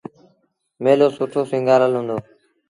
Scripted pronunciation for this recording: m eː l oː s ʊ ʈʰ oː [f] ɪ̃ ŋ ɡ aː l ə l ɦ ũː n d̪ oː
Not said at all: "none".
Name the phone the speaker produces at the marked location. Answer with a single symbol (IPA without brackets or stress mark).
s